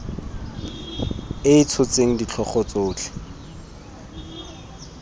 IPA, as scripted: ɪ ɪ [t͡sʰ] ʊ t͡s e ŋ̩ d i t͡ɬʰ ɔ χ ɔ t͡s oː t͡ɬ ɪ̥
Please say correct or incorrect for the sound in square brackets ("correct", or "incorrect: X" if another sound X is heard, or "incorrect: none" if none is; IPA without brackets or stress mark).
correct